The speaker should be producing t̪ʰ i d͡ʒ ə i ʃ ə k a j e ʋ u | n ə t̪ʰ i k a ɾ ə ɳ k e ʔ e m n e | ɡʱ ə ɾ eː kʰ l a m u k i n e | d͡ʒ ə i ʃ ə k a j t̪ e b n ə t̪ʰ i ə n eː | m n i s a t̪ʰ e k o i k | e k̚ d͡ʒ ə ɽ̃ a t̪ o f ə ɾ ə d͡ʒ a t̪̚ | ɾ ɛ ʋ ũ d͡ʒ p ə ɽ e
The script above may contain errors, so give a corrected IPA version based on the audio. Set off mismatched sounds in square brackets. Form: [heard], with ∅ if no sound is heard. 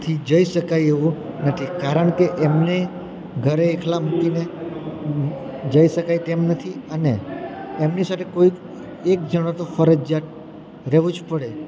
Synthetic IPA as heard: t̪ʰ i d͡ʒ ə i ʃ ə k a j e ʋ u | n ə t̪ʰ i k a ɾ ə ɳ k e ʔ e m n e | ɡʱ ə ɾ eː kʰ l a m u k i n e | d͡ʒ ə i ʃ ə k a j t̪ e [m] n ə t̪ʰ i ə n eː | m n i s a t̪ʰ e k o i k | e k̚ d͡ʒ ə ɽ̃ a t̪ o f ə ɾ ə d͡ʒ a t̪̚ | ɾ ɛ ʋ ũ d͡ʒ p ə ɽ e

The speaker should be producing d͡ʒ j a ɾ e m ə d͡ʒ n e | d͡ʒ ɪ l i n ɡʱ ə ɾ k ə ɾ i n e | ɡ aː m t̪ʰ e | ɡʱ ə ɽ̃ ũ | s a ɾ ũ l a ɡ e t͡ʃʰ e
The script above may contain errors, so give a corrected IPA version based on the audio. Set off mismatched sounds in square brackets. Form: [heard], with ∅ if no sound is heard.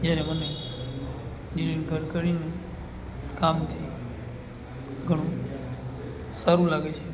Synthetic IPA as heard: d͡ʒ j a ɾ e m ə [∅] n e | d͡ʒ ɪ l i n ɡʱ ə ɾ k ə ɾ i n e | [k] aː m t̪ʰ [i] | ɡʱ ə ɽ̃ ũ | s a ɾ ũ l a ɡ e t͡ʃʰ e

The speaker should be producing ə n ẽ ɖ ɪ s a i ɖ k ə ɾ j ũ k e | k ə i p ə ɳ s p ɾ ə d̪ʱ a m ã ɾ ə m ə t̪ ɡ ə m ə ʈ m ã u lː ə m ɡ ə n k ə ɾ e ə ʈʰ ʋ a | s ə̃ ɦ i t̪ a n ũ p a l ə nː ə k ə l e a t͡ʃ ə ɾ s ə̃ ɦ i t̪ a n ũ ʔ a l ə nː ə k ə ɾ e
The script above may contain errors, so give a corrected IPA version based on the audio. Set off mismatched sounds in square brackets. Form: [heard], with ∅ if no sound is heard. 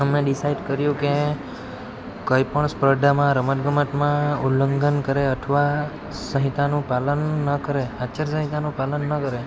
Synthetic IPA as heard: ə [m] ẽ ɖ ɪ s a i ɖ k ə ɾ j ũ k e | k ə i p ə ɳ s p ɾ ə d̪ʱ a m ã ɾ ə m ə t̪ ɡ ə m ə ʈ m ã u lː ə [ŋ] ɡ ə n k ə ɾ e ə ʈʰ ʋ a | s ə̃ ɦ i t̪ a n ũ p a l ə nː ə k ə [ɾ] e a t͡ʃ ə ɾ s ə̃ ɦ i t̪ a n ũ [p] a l ə nː ə k ə ɾ e

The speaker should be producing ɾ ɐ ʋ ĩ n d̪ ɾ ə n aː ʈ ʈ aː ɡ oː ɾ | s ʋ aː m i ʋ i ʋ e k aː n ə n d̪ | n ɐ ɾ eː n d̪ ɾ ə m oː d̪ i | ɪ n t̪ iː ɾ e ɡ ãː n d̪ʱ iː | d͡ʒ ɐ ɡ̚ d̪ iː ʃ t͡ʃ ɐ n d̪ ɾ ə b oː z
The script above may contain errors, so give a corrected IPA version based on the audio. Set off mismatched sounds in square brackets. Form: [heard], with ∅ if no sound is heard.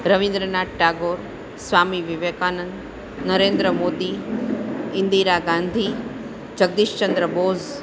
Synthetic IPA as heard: ɾ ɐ ʋ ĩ n d̪ ɾ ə n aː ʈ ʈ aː ɡ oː ɾ | s ʋ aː m i ʋ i ʋ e k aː n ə n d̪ | n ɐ ɾ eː n d̪ ɾ ə m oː d̪ i | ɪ n [d̪] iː ɾ [a] ɡ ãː n d̪ʱ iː | d͡ʒ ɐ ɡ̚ d̪ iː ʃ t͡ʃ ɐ n d̪ ɾ ə b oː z

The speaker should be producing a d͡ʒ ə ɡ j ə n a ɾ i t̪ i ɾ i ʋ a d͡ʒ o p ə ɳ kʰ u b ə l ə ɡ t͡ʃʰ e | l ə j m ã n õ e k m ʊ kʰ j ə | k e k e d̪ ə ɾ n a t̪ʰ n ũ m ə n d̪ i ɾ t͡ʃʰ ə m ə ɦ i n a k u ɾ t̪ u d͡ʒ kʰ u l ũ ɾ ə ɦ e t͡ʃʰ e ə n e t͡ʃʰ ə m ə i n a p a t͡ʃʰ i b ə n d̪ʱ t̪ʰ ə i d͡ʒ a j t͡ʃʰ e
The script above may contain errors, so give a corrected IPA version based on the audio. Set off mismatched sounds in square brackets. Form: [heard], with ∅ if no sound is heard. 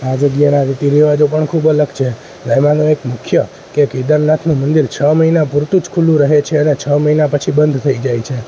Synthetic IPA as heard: a d͡ʒ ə ɡ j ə n a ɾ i t̪ i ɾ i ʋ a d͡ʒ o p ə ɳ kʰ u b ə l ə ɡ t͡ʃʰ e | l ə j m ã n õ e k m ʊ kʰ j ə | k e k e d̪ ə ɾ n a t̪ʰ n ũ m ə n d̪ i ɾ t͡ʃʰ ə m ə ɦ i n a [p] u ɾ t̪ u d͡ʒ kʰ u l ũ ɾ ə ɦ e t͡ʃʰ e ə n e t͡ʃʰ ə m ə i n a p [ə] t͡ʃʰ i b ə n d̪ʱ t̪ʰ ə i d͡ʒ a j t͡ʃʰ e

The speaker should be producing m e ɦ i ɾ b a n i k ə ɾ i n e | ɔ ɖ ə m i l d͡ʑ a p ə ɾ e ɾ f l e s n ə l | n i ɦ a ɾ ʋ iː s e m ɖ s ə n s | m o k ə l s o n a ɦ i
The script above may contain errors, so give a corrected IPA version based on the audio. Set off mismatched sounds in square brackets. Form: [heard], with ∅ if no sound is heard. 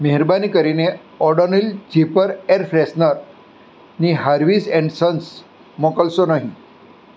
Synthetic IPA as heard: m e ɦ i ɾ b a n i k ə ɾ i n e | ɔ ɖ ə [n] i l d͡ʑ [i] p ə ɾ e ɾ f [ɾ] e s n ə [ɾ] | n i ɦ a ɾ ʋ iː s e [ɳ] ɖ s ə n s | m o k ə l s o n a ɦ i

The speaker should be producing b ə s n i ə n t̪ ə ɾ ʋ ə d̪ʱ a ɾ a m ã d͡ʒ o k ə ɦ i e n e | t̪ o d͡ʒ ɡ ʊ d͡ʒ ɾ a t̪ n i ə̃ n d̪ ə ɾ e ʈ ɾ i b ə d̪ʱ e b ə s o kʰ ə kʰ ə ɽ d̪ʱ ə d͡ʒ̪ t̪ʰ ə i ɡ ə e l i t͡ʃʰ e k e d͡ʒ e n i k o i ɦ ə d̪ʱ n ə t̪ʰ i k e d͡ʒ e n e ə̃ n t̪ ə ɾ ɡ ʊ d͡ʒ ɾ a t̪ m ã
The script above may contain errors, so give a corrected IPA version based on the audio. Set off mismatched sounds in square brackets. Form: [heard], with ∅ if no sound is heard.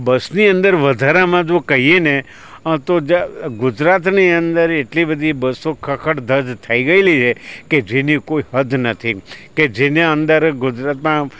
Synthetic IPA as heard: b ə s n i ə n [d̪] ə ɾ ʋ ə d̪ʱ a ɾ a m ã d͡ʒ o k ə ɦ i e n e | t̪ o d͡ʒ ɡ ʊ d͡ʒ ɾ a t̪ n i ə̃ n d̪ ə ɾ e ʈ [l] i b ə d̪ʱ [i] b ə s o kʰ ə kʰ ə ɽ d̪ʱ ə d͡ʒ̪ t̪ʰ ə i ɡ ə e l i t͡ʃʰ e k e d͡ʒ e n i k o i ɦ ə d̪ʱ n ə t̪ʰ i k e d͡ʒ e n e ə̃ n [d̪] ə ɾ ɡ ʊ d͡ʒ ɾ a t̪ m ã

